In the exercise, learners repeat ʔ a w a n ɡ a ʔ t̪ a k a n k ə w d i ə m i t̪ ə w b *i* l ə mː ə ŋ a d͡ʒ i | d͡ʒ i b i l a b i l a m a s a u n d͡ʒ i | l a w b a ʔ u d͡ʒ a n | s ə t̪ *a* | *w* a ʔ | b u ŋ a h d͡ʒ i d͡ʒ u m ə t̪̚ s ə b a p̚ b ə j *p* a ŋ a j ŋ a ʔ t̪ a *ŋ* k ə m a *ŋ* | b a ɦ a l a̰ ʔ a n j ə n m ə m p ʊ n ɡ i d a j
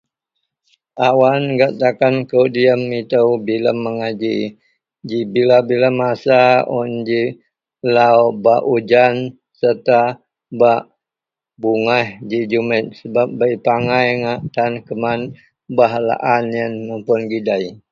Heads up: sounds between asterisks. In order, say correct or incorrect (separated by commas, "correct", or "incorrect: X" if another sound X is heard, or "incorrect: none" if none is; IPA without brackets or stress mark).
correct, correct, incorrect: b, correct, incorrect: n, incorrect: n